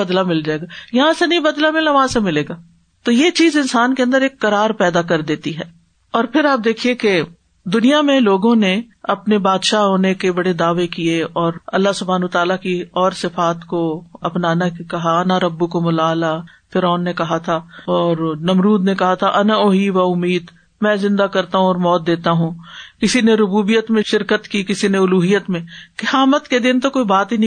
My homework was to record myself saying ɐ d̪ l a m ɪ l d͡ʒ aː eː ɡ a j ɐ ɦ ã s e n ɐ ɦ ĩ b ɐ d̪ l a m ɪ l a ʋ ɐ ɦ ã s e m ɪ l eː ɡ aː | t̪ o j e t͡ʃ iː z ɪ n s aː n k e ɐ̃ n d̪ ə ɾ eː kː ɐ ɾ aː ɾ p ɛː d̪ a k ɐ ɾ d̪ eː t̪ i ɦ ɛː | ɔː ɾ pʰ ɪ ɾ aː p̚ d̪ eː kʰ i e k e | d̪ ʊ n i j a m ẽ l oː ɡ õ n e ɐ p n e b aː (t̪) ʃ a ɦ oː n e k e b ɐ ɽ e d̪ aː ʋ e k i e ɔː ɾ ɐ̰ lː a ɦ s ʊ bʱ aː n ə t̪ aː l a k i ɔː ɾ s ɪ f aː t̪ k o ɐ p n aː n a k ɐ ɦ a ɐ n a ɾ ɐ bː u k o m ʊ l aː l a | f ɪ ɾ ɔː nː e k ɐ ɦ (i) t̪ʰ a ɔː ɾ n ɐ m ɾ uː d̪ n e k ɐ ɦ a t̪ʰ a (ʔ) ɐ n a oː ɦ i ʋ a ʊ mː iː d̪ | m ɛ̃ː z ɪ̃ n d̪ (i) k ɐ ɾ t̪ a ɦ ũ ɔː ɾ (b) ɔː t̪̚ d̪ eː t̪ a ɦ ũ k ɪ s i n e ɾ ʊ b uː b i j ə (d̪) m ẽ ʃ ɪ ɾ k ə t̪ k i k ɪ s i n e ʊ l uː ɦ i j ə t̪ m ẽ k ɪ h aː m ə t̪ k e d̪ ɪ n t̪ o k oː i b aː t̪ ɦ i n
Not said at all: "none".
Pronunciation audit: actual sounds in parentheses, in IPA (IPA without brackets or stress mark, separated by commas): d̪, a, ʔ, a, m, t̪